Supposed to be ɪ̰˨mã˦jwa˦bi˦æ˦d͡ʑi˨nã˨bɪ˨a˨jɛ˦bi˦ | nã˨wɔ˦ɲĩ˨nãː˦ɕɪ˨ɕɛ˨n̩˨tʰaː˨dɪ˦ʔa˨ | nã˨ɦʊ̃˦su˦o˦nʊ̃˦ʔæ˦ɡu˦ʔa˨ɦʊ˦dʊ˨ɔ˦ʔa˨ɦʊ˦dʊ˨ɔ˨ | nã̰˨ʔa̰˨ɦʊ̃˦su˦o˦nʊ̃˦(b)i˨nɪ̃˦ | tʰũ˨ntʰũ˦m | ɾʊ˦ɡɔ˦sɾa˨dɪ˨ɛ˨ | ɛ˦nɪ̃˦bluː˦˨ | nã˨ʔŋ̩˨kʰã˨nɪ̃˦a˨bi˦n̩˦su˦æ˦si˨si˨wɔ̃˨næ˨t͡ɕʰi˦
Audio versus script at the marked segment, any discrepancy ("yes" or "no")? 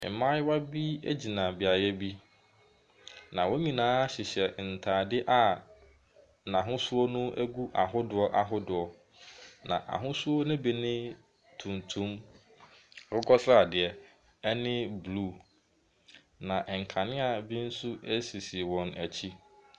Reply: no